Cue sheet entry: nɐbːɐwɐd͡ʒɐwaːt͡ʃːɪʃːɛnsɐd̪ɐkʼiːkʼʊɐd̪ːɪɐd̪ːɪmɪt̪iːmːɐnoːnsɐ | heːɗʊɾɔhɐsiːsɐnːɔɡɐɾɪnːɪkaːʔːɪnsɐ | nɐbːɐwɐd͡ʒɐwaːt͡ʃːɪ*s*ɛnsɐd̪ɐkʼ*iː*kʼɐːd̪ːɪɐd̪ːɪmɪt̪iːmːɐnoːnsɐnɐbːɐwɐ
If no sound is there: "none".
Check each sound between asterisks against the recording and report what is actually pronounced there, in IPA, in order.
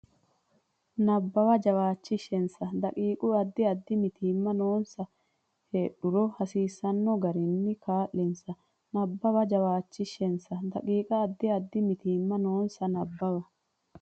ʃ, iː

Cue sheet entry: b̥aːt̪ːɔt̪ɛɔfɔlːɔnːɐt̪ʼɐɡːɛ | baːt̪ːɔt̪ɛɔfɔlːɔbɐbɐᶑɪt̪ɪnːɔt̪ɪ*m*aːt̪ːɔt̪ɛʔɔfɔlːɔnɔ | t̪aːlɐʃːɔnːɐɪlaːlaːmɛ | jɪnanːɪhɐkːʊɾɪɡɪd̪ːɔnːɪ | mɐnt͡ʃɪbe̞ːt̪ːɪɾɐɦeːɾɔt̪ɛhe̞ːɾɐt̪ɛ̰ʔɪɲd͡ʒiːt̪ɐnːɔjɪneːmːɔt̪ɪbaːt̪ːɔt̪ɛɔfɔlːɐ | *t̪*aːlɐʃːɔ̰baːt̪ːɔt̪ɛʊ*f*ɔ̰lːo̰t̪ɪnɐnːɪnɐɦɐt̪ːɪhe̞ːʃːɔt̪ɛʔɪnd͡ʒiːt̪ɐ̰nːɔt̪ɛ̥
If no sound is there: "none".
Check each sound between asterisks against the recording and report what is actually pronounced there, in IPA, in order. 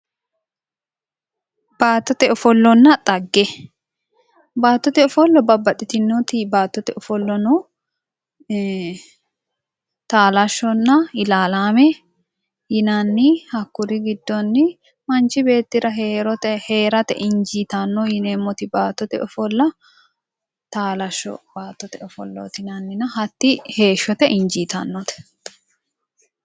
b, t̪, f

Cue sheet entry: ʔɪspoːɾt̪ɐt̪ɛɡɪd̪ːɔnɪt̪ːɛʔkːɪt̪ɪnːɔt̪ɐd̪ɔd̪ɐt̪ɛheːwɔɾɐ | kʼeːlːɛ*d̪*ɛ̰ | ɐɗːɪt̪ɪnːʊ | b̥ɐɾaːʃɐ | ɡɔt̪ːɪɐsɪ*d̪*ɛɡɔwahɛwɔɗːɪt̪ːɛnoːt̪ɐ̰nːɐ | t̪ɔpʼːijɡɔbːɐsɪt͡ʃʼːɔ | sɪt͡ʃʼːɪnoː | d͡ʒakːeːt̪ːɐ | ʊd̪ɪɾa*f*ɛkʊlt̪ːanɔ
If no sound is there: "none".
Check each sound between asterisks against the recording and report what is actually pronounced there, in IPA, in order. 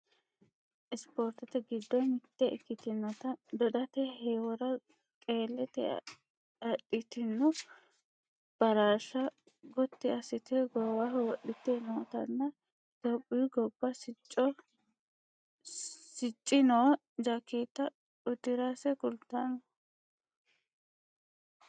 t̪, t̪, s

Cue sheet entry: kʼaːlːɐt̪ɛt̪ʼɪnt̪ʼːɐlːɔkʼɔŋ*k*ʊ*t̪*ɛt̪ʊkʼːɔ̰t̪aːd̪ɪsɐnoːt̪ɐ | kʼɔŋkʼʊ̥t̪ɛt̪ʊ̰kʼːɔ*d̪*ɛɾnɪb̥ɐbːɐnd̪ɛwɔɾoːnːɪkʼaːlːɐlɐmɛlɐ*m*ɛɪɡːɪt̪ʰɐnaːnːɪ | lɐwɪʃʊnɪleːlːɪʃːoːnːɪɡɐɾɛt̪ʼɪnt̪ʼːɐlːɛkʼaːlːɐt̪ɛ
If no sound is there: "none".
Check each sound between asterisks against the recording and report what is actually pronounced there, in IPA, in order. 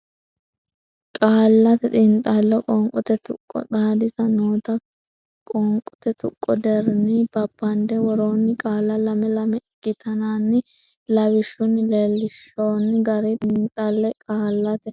kʼ, t̪, d̪, m

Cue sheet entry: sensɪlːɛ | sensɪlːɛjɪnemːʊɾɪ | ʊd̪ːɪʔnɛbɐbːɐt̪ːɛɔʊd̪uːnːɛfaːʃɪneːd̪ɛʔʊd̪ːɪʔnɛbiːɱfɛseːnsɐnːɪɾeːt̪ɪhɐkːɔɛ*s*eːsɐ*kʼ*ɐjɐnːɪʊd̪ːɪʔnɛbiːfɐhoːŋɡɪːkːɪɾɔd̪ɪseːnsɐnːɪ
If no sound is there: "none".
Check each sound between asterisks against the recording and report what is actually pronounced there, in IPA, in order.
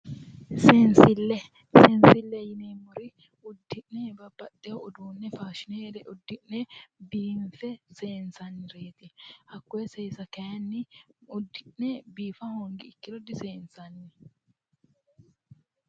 s, k

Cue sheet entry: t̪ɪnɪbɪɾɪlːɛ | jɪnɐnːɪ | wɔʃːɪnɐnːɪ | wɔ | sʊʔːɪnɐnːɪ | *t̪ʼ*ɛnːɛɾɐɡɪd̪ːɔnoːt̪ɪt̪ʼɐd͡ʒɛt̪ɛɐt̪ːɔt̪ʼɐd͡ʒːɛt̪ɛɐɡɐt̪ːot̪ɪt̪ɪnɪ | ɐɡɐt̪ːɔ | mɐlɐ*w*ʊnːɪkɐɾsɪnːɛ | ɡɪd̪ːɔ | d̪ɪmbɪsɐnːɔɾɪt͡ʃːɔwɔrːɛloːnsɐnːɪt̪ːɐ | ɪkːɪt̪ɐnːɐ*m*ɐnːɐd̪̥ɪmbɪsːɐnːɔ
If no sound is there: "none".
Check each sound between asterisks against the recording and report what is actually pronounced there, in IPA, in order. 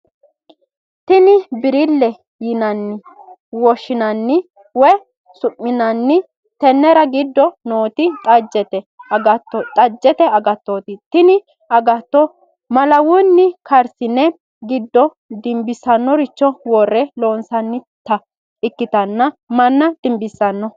t̪, w, m

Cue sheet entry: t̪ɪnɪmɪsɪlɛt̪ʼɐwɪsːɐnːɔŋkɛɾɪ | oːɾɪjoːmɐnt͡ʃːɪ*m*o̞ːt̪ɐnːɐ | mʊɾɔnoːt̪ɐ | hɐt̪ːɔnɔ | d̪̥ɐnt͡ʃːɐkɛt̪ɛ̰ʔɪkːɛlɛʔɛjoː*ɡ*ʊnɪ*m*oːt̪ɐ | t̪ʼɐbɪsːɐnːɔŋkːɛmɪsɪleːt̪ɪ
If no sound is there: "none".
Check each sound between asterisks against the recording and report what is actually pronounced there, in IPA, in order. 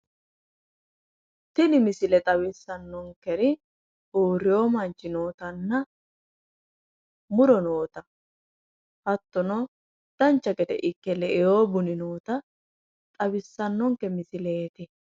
n, b, n

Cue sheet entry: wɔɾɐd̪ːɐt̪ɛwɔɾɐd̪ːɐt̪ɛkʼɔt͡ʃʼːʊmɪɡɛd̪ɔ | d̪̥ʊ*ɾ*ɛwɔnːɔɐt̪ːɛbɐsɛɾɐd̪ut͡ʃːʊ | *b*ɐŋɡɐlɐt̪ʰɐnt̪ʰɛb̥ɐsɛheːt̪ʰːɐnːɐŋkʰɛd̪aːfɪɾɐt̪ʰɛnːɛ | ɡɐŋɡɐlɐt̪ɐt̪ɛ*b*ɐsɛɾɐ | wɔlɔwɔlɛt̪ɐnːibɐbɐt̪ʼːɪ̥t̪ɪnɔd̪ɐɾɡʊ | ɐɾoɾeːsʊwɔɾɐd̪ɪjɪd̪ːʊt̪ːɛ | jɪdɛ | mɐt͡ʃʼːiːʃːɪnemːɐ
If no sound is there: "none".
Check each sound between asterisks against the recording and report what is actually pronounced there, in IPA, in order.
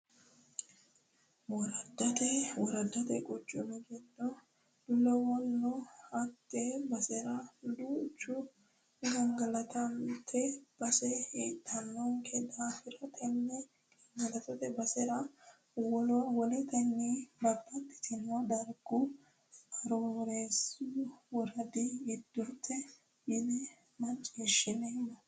l, ɡ, b

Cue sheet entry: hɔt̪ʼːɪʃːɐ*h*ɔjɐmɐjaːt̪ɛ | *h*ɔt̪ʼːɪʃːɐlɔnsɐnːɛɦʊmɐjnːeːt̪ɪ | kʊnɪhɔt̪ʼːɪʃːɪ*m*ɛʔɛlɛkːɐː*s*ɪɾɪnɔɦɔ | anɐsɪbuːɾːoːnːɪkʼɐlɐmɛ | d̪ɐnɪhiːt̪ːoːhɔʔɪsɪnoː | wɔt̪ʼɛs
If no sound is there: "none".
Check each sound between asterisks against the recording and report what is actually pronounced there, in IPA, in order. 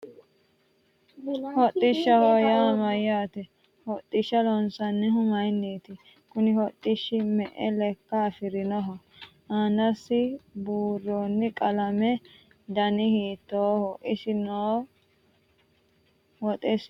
h, h, m, f

